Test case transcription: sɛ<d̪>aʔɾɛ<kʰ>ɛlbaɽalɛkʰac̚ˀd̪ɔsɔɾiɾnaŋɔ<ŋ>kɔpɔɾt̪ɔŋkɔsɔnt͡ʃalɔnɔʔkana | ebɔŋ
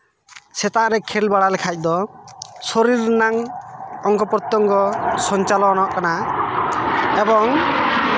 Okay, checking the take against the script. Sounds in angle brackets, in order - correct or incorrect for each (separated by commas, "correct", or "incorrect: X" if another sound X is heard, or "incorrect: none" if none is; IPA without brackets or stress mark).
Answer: incorrect: t̪, correct, correct